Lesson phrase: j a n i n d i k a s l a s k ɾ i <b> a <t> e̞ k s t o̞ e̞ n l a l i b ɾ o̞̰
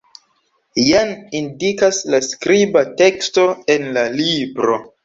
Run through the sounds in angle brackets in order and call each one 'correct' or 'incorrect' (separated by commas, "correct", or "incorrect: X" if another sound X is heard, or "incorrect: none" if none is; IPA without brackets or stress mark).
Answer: correct, correct